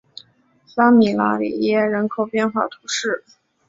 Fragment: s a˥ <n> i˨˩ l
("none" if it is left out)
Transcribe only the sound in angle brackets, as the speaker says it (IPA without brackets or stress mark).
m